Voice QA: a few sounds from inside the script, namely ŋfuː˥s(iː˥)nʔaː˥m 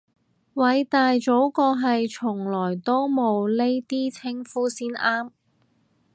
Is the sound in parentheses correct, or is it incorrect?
correct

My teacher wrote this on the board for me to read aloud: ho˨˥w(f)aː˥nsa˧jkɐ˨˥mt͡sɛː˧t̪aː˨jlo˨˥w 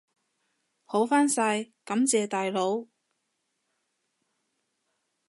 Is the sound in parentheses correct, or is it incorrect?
correct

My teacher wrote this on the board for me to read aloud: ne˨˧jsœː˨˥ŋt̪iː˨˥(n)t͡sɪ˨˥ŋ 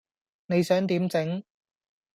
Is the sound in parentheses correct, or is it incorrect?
incorrect: m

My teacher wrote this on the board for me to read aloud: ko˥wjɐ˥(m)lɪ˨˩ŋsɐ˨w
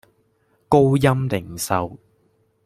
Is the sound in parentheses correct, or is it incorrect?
correct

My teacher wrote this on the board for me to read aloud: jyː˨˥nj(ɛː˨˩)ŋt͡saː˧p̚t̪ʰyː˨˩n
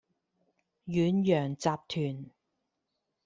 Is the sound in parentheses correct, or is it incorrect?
incorrect: œː˨˩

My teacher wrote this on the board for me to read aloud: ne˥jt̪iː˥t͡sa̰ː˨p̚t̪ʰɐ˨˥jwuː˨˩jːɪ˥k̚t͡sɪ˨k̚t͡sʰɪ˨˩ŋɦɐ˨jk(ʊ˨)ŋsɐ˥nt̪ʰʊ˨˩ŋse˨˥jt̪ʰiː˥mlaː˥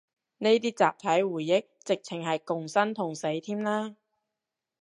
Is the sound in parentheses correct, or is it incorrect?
correct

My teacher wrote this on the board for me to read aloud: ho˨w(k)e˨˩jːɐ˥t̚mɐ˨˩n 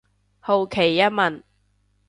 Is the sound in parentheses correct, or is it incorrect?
incorrect: kʰ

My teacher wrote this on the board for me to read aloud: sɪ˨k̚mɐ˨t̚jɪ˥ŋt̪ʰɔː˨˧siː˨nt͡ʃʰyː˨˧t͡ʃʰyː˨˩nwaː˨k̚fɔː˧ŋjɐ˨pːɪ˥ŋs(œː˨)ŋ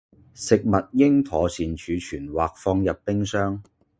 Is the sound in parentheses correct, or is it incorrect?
incorrect: œː˥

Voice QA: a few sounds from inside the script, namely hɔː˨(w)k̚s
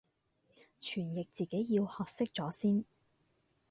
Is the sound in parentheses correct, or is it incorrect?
incorrect: none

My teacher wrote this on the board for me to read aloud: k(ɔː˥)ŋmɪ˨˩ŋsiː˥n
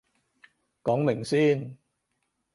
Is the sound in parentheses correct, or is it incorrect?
incorrect: ɔː˨˥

